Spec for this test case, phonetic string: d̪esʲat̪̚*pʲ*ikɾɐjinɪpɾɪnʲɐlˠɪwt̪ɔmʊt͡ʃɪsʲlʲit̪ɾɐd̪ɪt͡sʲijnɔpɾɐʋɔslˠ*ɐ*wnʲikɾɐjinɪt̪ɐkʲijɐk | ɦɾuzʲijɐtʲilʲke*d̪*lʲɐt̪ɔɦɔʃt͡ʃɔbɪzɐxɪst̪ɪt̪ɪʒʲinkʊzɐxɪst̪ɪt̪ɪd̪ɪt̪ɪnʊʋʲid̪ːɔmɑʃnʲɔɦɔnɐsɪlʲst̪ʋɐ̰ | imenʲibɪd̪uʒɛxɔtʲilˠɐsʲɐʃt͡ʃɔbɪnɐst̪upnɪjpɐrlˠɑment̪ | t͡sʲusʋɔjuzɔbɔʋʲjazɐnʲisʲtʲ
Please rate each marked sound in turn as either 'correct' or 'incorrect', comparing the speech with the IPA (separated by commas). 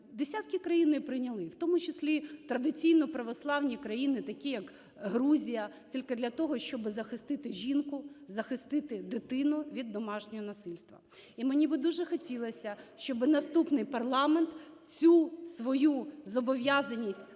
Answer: incorrect, incorrect, correct